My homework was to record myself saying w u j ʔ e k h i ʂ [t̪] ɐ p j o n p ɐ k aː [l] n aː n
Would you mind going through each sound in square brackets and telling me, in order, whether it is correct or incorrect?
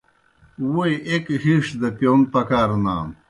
incorrect, incorrect

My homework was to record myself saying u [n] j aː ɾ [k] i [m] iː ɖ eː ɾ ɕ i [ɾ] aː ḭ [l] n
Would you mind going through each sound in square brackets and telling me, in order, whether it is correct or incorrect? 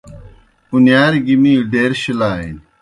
correct, incorrect, correct, incorrect, incorrect

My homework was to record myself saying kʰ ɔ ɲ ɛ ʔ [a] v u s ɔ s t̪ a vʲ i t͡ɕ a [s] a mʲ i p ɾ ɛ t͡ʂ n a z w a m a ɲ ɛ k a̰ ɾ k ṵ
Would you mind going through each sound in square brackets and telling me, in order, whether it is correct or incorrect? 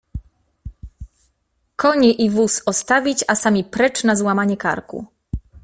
incorrect, correct

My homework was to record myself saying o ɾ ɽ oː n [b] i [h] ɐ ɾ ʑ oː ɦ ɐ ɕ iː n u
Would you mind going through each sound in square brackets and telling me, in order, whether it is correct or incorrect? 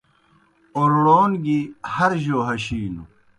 incorrect, correct

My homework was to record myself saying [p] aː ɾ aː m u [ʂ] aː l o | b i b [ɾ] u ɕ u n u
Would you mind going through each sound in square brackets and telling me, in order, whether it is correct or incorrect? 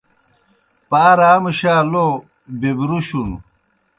correct, incorrect, correct

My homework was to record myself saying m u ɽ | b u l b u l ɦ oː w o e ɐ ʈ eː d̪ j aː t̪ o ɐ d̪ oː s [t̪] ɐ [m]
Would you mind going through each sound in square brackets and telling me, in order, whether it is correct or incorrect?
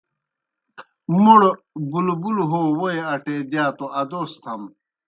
incorrect, correct

